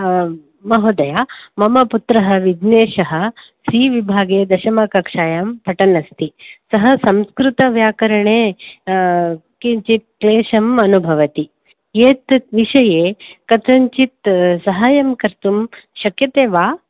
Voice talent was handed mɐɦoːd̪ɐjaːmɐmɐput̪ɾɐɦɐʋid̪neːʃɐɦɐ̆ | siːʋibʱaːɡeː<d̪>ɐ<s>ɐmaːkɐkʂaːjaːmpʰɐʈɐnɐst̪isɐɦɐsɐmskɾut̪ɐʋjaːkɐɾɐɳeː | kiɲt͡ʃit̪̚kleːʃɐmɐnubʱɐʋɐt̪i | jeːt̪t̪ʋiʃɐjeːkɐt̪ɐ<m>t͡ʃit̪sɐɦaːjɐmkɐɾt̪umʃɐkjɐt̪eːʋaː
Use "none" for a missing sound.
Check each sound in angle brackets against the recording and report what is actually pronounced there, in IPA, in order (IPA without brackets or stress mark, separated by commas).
d̪, ʃ, ɲ